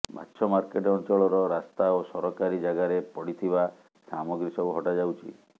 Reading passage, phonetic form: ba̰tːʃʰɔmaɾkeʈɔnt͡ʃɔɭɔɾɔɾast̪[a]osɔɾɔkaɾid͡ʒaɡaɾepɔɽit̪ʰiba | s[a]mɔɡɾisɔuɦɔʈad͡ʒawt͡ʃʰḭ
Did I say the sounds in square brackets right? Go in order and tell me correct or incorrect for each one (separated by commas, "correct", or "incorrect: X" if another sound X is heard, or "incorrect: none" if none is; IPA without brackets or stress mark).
correct, correct